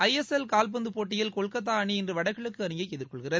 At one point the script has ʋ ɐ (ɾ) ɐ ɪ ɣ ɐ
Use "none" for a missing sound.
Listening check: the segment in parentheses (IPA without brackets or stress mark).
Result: ɽ